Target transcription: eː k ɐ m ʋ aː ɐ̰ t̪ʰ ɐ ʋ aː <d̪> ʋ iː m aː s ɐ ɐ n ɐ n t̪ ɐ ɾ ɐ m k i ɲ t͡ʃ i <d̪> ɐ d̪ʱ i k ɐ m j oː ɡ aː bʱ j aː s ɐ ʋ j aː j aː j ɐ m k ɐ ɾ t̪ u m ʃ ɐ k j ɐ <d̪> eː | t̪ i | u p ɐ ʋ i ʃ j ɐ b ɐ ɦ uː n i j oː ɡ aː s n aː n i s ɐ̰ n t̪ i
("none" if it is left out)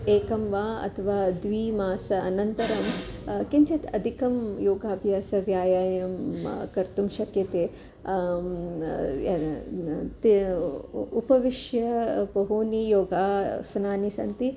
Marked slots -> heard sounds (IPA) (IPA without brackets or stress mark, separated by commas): d̪, t̪, t̪